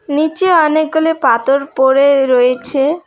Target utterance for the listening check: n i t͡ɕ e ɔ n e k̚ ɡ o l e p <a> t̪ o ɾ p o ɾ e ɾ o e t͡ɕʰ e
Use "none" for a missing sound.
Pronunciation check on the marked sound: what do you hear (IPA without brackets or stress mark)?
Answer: a